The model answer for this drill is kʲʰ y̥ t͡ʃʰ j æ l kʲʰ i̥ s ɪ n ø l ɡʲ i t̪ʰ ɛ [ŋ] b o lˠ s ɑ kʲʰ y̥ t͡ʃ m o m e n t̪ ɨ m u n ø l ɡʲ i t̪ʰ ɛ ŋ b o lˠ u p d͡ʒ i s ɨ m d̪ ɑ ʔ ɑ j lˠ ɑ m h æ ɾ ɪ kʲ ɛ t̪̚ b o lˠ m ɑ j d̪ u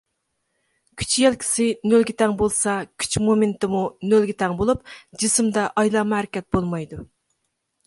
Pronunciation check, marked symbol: correct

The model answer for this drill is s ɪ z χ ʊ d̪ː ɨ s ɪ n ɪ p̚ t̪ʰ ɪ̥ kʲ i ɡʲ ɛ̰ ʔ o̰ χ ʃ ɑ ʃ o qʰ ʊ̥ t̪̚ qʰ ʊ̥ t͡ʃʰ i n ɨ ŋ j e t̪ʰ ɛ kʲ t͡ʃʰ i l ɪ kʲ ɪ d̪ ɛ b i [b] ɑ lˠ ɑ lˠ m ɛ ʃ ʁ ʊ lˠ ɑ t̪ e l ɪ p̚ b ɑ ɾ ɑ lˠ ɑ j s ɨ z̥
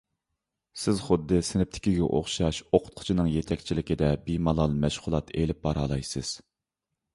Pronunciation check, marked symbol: incorrect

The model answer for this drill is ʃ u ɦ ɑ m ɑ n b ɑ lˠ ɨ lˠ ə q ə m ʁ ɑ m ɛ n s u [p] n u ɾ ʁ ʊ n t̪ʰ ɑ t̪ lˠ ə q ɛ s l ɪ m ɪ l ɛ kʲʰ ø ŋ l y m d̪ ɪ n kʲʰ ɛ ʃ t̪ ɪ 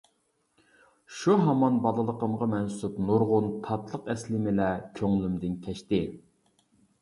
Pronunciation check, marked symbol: correct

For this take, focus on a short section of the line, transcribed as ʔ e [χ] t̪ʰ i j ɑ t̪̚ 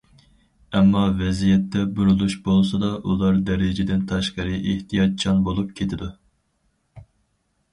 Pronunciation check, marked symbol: incorrect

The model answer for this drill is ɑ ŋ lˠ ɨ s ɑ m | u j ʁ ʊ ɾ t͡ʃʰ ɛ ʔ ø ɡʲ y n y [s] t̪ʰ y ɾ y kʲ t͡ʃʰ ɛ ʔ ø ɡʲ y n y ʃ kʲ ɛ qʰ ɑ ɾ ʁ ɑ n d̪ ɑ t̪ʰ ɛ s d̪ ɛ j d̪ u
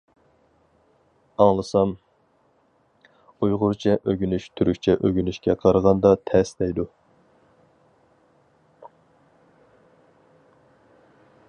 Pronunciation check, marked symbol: incorrect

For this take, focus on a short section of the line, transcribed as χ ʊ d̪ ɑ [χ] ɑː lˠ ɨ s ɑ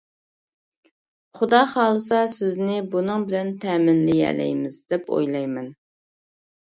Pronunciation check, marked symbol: correct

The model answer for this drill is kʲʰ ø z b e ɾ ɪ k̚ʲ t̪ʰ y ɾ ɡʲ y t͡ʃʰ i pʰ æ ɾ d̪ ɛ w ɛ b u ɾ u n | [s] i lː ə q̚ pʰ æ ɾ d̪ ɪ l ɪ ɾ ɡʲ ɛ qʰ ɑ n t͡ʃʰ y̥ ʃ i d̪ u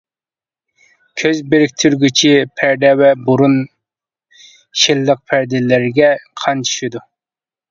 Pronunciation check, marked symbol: incorrect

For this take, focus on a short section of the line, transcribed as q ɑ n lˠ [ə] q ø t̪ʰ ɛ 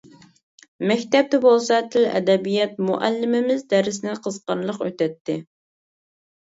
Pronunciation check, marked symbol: correct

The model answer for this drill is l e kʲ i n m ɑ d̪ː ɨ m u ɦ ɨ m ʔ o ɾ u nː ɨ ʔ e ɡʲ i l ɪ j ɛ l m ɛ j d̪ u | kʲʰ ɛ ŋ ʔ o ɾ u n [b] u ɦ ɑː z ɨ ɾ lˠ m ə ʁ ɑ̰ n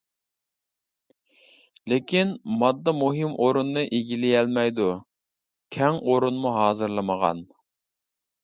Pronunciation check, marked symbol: incorrect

